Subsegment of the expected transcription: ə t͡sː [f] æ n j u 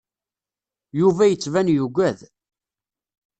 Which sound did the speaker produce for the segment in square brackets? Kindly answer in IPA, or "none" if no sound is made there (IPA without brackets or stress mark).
v